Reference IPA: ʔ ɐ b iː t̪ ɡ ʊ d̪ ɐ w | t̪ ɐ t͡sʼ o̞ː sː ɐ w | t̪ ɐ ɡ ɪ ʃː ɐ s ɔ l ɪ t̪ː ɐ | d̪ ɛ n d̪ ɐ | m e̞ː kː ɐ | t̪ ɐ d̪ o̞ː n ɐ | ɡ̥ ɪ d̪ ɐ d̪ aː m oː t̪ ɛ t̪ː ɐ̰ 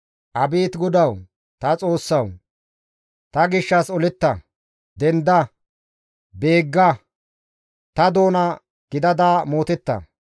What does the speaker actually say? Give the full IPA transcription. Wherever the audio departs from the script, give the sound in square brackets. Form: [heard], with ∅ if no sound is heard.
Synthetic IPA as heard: ʔ ɐ b iː t̪ ɡ ʊ d̪ ɐ w | t̪ ɐ t͡sʼ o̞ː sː ɐ w | t̪ ɐ ɡ ɪ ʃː ɐ s ɔ l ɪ t̪ː ɐ | d̪ ɛ n d̪ ɐ | [b] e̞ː [ɡː] ɐ | t̪ ɐ d̪ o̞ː n ɐ | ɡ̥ ɪ d̪ ɐ d̪ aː m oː t̪ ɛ t̪ː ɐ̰